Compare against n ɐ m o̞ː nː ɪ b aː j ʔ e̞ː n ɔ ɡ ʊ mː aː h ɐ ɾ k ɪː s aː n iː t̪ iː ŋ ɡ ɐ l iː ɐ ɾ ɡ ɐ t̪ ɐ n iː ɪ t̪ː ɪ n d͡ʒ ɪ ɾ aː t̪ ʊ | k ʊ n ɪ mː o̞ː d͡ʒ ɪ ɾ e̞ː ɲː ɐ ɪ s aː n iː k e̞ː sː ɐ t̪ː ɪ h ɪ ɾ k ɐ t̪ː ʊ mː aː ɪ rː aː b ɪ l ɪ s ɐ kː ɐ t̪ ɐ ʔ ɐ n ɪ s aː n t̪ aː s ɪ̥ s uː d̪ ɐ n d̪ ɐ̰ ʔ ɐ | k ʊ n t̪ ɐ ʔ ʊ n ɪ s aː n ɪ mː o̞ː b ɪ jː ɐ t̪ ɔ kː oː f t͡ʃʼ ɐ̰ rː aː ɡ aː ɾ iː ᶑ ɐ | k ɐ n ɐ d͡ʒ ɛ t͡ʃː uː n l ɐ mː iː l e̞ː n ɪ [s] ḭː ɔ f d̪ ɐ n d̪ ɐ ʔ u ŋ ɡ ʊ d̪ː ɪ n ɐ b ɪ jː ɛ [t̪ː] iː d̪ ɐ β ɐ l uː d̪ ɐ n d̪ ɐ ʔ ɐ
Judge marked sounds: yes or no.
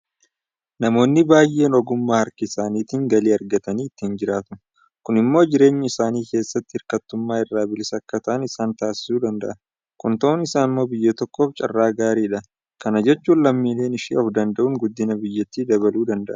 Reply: no, yes

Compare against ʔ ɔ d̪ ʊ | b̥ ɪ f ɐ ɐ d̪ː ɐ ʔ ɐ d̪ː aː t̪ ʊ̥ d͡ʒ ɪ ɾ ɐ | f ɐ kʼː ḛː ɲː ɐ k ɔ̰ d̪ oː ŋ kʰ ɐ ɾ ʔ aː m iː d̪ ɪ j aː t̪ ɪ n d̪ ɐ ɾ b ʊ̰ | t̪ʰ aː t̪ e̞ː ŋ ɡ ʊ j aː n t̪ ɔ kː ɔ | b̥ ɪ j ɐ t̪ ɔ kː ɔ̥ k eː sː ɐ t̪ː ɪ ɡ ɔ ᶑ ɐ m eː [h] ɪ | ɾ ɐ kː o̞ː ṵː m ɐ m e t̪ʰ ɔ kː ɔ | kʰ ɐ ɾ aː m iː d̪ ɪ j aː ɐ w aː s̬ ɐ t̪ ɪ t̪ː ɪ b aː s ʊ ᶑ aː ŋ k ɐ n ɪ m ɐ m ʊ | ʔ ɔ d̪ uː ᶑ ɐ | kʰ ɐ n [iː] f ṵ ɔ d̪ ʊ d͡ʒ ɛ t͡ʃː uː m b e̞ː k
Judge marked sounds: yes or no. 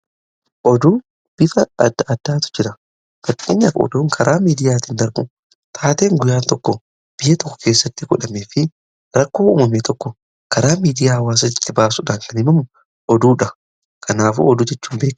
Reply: no, no

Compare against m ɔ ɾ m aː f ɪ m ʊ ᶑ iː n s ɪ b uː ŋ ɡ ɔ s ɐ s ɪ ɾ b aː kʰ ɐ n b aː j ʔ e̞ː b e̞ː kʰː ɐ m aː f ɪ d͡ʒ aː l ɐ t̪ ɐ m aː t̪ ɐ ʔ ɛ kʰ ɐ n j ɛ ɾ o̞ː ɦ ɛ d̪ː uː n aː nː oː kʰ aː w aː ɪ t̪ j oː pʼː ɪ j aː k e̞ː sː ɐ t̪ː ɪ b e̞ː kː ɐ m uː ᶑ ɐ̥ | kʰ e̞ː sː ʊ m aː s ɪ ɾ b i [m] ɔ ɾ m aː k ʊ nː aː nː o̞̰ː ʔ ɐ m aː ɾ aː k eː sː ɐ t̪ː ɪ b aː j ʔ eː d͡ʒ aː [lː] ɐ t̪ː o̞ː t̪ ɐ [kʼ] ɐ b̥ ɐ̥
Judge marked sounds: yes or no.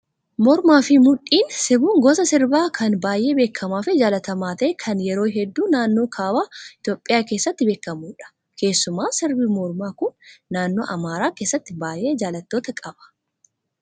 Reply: yes, no, yes

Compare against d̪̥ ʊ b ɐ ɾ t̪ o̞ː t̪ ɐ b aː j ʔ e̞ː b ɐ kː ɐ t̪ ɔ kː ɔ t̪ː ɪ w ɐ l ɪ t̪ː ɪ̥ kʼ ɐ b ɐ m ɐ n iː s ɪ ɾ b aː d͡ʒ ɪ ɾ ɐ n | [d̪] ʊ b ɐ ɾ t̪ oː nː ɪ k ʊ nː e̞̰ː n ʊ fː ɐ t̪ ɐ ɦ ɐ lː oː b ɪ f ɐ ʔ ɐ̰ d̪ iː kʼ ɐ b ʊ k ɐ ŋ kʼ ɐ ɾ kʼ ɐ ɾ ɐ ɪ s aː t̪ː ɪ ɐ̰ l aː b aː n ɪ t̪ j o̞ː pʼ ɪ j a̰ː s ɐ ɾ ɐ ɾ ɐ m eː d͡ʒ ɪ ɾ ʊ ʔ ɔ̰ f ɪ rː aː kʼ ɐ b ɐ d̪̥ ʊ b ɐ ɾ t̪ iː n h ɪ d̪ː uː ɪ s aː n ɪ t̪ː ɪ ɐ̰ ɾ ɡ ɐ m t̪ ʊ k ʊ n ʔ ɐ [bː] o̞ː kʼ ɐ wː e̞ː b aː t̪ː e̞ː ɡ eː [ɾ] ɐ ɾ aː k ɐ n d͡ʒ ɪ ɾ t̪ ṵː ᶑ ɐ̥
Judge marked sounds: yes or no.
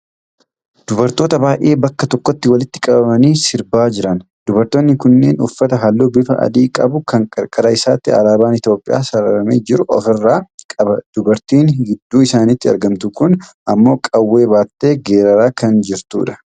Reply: yes, no, yes

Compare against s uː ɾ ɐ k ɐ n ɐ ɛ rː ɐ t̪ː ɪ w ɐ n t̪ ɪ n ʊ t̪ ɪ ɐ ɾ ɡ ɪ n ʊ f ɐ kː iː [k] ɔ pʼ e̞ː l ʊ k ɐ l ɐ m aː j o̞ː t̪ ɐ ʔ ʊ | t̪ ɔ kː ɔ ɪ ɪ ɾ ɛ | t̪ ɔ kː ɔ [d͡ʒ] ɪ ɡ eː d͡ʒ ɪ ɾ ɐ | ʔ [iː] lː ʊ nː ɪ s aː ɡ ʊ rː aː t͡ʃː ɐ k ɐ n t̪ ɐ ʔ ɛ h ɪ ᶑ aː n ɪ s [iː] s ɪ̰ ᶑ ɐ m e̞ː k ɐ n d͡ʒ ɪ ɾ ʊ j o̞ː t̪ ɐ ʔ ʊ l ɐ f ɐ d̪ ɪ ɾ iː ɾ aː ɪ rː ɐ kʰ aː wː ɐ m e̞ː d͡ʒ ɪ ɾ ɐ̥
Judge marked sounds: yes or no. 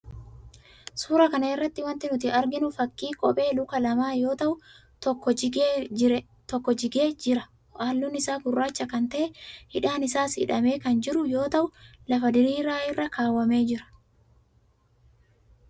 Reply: no, yes, no, no

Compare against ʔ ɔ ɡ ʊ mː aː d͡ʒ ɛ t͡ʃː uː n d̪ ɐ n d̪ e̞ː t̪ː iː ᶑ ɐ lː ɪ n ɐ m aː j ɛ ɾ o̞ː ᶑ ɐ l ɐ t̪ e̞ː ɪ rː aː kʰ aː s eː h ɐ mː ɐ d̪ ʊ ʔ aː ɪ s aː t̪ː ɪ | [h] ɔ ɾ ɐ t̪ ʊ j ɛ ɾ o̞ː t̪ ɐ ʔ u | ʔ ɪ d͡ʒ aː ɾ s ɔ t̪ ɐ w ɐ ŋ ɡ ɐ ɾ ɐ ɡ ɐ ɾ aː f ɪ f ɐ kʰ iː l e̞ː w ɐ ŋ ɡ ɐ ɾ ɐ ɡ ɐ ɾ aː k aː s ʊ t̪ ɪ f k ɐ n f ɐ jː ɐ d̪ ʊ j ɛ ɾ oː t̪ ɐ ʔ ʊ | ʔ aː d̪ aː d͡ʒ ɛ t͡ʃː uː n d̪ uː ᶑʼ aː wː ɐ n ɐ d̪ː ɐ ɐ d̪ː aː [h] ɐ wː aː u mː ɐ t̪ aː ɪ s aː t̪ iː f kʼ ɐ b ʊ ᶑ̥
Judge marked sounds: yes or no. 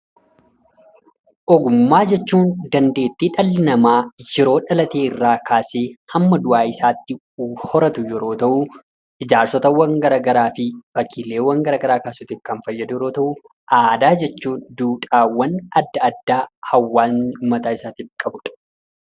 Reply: yes, yes

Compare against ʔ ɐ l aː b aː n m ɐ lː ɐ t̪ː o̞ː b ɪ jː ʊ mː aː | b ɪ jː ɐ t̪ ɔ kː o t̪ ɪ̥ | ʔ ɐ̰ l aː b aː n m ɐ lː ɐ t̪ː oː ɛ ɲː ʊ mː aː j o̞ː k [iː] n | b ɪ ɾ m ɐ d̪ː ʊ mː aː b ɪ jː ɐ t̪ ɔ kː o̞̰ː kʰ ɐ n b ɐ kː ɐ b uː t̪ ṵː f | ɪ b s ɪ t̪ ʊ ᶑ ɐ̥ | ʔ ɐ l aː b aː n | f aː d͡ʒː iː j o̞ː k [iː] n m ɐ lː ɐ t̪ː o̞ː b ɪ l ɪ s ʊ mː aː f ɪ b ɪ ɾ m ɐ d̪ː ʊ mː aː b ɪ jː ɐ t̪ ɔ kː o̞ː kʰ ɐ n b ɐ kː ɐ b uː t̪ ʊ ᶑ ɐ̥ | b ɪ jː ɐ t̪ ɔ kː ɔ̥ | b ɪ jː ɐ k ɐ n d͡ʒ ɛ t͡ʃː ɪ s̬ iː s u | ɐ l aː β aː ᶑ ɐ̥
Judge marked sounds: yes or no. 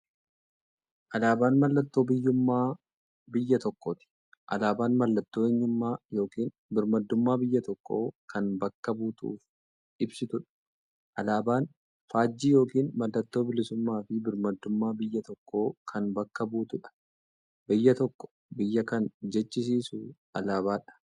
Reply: yes, yes

